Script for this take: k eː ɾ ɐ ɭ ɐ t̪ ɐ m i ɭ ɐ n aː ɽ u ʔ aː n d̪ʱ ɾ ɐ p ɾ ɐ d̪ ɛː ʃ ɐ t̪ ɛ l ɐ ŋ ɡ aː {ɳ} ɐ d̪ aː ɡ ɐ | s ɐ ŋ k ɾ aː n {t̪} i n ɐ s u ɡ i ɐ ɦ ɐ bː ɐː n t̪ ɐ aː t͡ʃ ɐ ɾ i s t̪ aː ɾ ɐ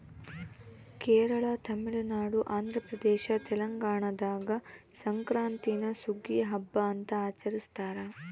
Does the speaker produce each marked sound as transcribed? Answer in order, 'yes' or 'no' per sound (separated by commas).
yes, yes